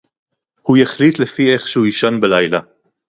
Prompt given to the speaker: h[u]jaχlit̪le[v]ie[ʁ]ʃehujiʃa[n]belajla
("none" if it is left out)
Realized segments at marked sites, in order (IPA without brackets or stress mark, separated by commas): u, f, χ, n